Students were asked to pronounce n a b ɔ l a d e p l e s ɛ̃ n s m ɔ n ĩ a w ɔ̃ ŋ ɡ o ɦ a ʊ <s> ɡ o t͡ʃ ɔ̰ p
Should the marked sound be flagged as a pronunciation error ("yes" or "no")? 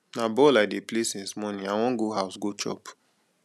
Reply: no